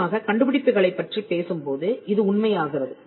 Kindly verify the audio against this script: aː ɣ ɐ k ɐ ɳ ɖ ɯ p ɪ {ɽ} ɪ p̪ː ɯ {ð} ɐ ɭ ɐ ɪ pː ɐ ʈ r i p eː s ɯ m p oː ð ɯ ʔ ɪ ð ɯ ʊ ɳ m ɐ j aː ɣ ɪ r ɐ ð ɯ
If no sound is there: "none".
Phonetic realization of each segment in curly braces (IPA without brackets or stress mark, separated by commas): ɽ, ɣ